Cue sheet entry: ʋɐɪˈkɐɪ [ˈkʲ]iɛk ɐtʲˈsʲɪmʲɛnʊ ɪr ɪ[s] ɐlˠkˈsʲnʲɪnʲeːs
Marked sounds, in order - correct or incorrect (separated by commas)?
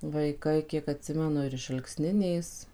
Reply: correct, incorrect